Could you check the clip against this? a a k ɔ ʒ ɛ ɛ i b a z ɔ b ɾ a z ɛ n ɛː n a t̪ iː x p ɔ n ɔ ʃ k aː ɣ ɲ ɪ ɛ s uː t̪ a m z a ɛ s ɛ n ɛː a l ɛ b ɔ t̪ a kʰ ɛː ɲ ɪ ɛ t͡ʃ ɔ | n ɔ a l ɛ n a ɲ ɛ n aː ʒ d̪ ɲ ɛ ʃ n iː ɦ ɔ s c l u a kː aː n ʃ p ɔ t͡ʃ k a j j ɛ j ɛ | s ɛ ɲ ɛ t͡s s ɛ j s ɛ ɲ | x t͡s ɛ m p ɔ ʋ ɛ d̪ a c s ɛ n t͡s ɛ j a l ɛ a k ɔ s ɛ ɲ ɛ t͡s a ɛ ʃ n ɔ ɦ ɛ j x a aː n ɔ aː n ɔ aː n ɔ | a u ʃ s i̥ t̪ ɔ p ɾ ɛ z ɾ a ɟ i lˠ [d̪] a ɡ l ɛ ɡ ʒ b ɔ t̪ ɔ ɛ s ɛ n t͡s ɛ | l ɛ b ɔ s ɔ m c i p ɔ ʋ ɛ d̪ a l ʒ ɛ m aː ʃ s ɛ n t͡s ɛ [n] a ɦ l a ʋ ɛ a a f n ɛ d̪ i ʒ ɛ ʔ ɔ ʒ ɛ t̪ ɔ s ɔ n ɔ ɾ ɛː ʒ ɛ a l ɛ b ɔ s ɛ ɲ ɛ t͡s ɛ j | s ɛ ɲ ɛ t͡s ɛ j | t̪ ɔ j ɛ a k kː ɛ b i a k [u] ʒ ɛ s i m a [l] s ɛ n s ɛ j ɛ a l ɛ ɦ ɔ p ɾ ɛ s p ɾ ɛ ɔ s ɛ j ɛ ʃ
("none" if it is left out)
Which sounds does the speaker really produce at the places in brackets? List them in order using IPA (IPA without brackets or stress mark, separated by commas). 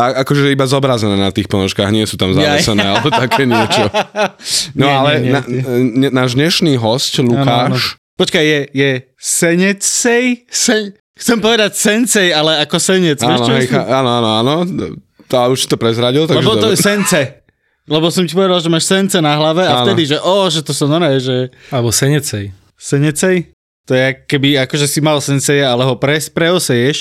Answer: t̪, n, ɔ, l